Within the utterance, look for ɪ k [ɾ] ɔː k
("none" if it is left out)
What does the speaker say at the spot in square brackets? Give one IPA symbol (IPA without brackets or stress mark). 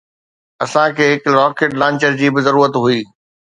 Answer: ɾ